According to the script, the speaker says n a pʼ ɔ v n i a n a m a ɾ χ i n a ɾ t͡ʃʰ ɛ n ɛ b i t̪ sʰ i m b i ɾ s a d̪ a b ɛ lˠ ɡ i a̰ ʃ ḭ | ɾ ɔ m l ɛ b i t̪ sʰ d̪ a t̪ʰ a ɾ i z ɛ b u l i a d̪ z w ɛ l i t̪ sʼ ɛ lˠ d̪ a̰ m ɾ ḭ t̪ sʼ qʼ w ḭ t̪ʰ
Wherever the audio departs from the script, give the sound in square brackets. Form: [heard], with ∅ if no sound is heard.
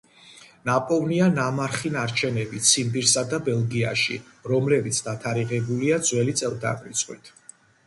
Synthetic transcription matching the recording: n a pʼ ɔ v n i a n a m a ɾ χ i n a ɾ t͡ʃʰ ɛ n ɛ b i t̪ sʰ i m b i ɾ s a d̪ a b ɛ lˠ ɡ i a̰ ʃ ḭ | ɾ ɔ m l ɛ b i t̪ sʰ d̪ a t̪ʰ a ɾ i [ʁ] ɛ b u l i a d̪ z w ɛ l i t̪ sʼ ɛ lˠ d̪ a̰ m ɾ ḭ t̪ sʼ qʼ w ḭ t̪ʰ